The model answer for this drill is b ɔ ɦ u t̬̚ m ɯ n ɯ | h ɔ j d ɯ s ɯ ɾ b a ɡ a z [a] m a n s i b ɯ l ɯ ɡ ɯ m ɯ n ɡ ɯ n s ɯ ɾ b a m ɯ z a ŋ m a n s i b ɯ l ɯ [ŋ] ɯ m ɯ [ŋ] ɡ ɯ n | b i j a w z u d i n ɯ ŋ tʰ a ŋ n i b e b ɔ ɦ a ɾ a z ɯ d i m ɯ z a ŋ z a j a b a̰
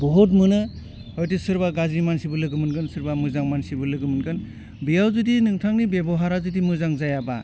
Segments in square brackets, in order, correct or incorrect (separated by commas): incorrect, incorrect, incorrect